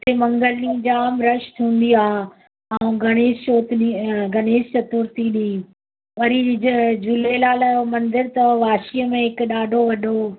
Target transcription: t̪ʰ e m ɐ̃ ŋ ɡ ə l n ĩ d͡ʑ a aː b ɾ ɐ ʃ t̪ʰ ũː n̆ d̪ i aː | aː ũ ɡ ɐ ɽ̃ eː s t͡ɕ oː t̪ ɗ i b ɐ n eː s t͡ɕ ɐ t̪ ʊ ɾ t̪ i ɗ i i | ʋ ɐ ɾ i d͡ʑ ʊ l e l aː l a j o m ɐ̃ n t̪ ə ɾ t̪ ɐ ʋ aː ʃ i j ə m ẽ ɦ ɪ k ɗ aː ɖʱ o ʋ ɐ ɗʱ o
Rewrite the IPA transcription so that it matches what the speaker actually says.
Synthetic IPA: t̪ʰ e m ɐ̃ ŋ ɡ ə l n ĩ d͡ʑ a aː m ɾ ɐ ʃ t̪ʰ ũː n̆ d̪ i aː | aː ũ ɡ ɐ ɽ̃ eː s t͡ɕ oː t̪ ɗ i ɡ ɐ n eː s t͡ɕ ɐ t̪ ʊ ɾ t̪ i ɗ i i | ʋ ɐ ɾ i d͡ʑ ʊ l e l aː l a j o m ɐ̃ n d̪ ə ɾ t̪ ɐ ʋ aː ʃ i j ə m ẽ ɦ ɪ k ɗ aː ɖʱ o ʋ ɐ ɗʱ o